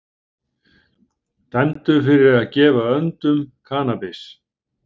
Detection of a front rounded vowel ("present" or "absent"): present